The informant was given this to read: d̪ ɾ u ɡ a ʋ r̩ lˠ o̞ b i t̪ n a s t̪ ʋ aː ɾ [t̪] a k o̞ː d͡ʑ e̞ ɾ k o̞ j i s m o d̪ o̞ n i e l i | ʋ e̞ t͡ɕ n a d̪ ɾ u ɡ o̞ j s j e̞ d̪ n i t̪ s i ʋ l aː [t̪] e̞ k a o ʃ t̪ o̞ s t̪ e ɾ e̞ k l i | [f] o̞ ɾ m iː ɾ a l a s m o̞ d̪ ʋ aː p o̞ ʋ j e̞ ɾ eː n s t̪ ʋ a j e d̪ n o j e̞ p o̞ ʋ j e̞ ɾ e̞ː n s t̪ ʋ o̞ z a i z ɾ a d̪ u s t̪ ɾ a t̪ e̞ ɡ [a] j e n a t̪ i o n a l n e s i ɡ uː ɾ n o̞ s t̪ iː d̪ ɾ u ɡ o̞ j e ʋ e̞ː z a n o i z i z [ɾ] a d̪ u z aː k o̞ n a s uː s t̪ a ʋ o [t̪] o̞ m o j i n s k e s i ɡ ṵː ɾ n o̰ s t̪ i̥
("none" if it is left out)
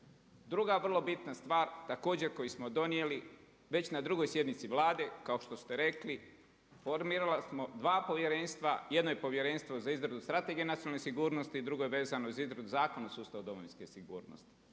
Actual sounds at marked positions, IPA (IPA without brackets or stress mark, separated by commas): t̪, d̪, f, i, ɾ, d̪